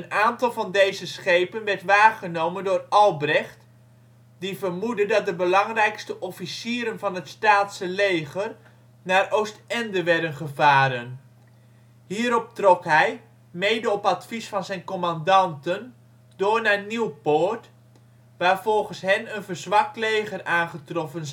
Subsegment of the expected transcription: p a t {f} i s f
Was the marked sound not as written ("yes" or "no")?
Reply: no